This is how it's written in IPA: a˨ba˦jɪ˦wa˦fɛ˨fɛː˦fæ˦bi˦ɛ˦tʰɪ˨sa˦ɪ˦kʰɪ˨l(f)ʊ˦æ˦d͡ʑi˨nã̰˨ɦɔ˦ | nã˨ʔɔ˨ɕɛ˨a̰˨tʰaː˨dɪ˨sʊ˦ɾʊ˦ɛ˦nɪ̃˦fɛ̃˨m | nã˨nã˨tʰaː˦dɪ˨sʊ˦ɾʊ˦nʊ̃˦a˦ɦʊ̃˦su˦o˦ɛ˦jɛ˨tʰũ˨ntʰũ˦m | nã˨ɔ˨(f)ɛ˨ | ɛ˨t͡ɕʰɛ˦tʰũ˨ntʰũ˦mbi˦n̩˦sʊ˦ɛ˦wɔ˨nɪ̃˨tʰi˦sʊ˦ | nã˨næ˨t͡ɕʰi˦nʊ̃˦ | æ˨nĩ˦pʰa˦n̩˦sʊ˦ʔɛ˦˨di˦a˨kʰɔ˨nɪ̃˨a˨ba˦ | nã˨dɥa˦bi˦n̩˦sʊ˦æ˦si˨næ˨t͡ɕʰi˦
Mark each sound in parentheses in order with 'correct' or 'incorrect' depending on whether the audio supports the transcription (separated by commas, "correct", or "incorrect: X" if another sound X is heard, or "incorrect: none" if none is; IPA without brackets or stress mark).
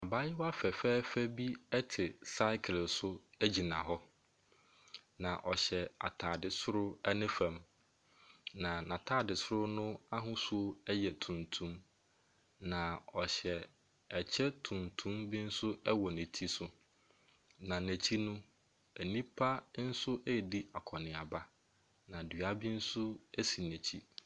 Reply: incorrect: s, incorrect: ɕ